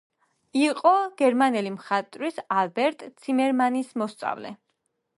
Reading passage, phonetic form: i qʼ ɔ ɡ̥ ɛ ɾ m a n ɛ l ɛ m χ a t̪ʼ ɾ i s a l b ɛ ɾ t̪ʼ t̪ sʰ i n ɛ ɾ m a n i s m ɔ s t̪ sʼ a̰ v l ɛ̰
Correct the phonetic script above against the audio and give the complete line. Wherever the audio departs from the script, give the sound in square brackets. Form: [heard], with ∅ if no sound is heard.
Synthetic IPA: i qʼ ɔ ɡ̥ ɛ ɾ m a n ɛ l [i] m χ a t̪ʼ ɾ i s a l b ɛ ɾ t̪ʼ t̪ sʰ i [m] ɛ ɾ m a n i s m ɔ s t̪ sʼ a̰ v l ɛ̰